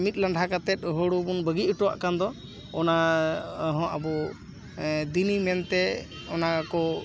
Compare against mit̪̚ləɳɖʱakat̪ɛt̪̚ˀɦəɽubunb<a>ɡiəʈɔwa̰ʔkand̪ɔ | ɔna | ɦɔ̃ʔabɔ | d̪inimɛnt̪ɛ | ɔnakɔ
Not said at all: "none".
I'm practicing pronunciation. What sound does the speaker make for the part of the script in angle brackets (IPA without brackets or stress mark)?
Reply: ə